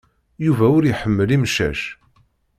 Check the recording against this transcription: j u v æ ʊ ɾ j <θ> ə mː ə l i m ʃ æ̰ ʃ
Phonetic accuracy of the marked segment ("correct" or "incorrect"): incorrect